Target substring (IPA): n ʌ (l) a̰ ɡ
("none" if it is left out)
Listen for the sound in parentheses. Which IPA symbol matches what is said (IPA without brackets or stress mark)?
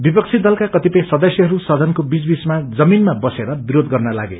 l